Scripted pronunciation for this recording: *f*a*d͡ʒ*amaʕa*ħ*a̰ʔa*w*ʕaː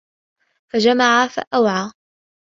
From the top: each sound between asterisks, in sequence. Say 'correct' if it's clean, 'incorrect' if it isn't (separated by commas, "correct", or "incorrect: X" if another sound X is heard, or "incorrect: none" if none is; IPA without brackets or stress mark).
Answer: correct, correct, incorrect: f, correct